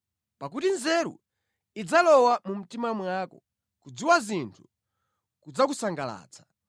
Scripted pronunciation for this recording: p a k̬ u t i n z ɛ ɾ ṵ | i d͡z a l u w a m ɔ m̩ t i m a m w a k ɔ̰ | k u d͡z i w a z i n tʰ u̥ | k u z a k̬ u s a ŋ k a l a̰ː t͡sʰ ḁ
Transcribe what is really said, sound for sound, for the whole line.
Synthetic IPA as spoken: p a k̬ u t i n z ɛ ɾ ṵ | i d͡z a l ɔ w a m u m̩ t i m a m w a k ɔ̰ | k u d͡z i w a z i n tʰ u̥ | k u d͡z a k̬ u s a ŋ ɡ a l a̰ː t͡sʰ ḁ